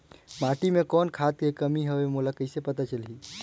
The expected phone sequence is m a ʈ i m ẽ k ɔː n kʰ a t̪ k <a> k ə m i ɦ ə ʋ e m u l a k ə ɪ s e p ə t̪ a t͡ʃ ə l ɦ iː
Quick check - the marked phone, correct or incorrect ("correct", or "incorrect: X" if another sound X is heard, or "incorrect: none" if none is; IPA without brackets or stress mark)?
incorrect: e